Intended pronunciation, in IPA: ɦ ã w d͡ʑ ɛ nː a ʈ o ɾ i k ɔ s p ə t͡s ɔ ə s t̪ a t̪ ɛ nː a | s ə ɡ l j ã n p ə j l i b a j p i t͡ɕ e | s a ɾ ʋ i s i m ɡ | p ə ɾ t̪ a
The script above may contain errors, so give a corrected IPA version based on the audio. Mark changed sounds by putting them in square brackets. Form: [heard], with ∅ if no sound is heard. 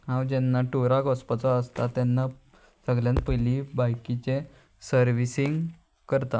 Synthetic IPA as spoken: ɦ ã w d͡ʑ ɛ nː a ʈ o ɾ [a] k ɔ s p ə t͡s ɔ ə s t̪ a t̪ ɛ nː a | s ə ɡ l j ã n p ə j l i b a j [k] i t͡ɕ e | s [ə] ɾ ʋ i s i [ŋ] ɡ | [k] ə ɾ t̪ a